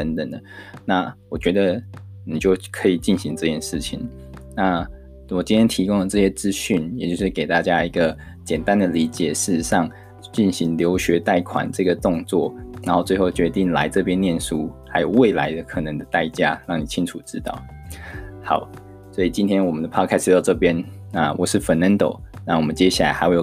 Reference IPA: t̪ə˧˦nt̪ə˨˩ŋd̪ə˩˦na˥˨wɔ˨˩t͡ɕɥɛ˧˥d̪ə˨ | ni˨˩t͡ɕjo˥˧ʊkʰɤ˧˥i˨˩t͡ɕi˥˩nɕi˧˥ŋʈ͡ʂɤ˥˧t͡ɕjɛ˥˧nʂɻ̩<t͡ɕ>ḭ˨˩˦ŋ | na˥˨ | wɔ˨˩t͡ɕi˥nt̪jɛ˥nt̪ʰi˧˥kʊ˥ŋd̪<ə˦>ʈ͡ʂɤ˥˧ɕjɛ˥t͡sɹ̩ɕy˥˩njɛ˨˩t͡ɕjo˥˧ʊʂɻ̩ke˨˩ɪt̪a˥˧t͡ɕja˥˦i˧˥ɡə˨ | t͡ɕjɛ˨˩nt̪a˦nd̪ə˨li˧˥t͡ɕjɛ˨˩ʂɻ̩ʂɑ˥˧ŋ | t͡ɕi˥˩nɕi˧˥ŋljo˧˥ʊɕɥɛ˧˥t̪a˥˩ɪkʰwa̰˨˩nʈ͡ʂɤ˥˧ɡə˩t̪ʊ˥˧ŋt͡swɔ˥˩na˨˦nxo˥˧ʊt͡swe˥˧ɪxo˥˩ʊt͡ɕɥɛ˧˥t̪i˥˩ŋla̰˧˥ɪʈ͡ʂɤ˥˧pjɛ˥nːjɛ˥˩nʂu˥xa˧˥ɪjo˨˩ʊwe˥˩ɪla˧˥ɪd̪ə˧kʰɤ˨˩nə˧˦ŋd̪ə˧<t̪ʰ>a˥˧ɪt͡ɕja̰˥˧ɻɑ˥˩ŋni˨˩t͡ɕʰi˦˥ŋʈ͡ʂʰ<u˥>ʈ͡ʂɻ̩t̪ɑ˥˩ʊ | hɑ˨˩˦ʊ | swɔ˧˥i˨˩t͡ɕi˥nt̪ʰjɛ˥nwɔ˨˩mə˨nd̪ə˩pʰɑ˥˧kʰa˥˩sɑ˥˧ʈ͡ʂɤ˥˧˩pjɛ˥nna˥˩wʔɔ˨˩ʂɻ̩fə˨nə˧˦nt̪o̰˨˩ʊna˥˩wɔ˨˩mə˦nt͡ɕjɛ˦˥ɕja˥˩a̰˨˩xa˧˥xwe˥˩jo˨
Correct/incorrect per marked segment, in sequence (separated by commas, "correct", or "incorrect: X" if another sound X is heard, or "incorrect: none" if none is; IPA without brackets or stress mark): incorrect: t͡ɕʰ, incorrect: ə˨˩, incorrect: t̪, incorrect: u˨˩